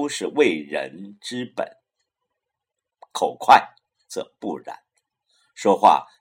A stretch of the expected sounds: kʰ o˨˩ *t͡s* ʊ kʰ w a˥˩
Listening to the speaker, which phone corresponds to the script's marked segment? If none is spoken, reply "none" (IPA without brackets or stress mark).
none